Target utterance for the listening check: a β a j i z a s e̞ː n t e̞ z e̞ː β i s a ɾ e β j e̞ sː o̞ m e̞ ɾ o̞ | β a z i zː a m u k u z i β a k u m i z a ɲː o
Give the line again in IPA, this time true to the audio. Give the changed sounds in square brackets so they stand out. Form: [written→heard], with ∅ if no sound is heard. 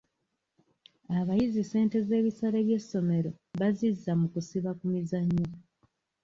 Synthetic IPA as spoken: a β a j i z [a→i] s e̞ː n t e̞ z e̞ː β i s a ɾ e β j e̞ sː o̞ m e̞ ɾ o̞ | β a z i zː a m u k u [z→s] i β a k u m i z a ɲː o